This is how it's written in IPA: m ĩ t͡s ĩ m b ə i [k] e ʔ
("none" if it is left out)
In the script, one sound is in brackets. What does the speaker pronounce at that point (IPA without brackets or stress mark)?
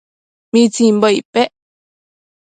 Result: p